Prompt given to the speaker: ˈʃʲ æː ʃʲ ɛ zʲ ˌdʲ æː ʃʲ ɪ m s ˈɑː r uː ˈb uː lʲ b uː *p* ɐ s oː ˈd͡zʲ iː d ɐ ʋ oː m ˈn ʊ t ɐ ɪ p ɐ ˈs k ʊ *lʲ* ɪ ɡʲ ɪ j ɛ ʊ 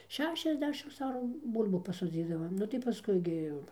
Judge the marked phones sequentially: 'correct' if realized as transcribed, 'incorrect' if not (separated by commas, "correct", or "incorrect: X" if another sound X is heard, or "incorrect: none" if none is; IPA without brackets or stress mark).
correct, incorrect: none